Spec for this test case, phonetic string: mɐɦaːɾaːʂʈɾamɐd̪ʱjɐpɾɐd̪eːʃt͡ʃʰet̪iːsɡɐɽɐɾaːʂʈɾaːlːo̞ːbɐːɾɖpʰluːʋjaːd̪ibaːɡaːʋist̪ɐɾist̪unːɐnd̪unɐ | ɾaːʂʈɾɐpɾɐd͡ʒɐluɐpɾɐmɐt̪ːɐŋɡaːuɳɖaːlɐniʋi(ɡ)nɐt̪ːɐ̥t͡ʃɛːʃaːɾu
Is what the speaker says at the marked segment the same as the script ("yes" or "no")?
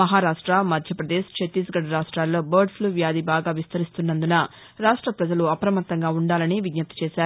yes